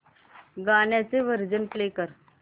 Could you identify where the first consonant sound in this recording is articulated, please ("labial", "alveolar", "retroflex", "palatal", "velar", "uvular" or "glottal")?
velar